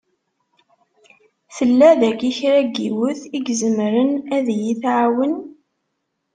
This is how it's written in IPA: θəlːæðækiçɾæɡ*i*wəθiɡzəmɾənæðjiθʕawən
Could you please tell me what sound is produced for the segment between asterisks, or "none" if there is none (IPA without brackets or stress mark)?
i